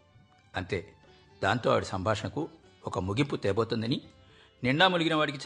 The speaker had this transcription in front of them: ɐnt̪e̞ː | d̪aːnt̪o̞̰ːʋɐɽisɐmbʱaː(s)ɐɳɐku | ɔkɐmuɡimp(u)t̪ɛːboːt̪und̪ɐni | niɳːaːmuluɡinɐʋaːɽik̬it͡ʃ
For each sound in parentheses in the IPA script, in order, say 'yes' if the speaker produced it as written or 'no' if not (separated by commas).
no, yes